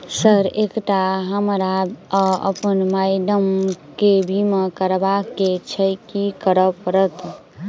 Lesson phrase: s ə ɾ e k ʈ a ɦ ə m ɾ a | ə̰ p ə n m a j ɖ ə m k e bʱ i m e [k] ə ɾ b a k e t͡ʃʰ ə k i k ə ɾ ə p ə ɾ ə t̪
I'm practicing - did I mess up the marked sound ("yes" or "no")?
no